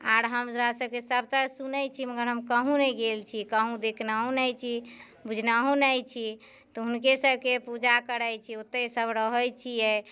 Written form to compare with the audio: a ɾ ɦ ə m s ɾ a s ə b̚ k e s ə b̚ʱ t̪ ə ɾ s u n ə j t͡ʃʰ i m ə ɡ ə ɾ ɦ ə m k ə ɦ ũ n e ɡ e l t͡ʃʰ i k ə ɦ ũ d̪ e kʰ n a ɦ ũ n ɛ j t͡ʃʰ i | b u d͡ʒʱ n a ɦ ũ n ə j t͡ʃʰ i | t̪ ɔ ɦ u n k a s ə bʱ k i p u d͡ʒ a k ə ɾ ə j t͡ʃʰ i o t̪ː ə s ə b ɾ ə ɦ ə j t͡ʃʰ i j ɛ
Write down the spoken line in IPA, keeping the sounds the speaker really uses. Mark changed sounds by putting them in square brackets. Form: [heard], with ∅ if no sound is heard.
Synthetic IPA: a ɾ ɦ ə m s ɾ a s ə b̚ k e s ə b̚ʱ t̪ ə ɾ s u n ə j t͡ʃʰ i m ə ɡ ə ɾ ɦ ə m k ə ɦ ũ n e ɡ e l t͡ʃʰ i k ə ɦ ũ d̪ e kʰ n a ɦ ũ n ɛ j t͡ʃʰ i | b u d͡ʒʱ n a ɦ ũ n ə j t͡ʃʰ i | t̪ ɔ ɦ u n k [e] s ə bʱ k [e] p u d͡ʒ a k ə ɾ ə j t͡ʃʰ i o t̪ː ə s ə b ɾ ə ɦ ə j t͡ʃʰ i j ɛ